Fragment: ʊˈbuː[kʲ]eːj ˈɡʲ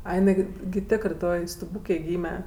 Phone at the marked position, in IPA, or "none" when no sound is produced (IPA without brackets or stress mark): kʲ